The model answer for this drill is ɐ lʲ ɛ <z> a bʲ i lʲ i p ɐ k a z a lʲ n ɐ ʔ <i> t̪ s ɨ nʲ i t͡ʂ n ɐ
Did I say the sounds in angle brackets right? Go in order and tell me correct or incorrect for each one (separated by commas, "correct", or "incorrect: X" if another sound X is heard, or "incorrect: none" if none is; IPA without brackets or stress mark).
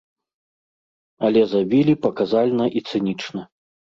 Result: correct, correct